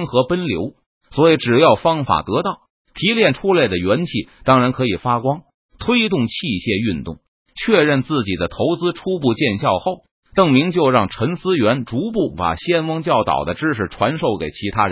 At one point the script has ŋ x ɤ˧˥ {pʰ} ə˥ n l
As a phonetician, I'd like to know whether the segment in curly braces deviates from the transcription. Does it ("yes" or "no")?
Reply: yes